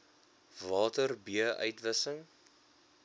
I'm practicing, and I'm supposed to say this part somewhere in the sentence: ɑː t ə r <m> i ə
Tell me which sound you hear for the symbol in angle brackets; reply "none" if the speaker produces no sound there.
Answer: b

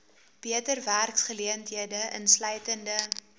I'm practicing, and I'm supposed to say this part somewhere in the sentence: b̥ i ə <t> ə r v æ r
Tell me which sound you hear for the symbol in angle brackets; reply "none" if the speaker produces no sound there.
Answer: t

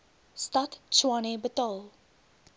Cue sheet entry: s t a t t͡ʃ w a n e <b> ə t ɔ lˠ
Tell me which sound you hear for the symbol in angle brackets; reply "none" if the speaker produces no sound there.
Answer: b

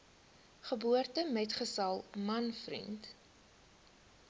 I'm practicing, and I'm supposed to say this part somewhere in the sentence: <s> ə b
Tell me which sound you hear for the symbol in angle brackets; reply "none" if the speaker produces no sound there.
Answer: χ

